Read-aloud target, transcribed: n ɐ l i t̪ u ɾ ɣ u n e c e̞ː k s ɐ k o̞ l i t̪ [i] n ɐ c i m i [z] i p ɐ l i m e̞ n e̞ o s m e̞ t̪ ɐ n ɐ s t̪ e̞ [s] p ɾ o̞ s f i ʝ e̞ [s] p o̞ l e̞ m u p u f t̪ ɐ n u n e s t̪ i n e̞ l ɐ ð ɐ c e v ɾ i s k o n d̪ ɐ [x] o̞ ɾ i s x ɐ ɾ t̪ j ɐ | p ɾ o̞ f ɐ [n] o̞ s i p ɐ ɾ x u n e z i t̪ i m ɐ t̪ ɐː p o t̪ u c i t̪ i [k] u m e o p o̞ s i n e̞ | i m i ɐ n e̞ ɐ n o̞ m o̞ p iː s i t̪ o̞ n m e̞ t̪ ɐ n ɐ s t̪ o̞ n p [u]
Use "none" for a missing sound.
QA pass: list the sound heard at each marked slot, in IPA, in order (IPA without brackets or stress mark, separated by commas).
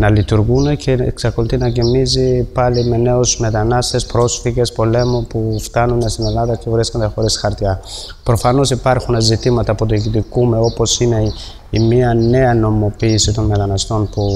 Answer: i, z, s, s, x, n, k, u